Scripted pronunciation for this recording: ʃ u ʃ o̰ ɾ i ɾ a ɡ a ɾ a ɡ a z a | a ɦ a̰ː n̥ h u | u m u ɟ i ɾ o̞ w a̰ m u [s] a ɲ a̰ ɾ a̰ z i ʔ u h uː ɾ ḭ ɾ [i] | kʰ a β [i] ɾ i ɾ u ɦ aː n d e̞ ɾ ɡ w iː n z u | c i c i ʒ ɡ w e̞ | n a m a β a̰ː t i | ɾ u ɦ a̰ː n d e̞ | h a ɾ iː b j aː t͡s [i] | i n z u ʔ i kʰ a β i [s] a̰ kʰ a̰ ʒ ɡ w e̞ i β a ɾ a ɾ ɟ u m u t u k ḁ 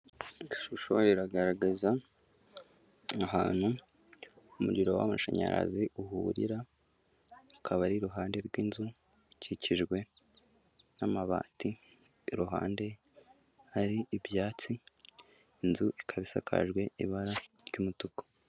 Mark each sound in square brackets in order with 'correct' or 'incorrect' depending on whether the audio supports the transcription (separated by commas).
incorrect, incorrect, incorrect, correct, correct